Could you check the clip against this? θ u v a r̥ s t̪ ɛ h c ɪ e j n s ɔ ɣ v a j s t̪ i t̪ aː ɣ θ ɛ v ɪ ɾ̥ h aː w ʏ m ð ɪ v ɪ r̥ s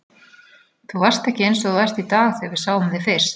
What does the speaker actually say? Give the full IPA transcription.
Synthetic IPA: θ u v a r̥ s t̪ ɛ h c ɪ e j n s ɔ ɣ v a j s t̪ i t̪ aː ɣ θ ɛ v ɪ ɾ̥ s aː w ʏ m ð ɪ f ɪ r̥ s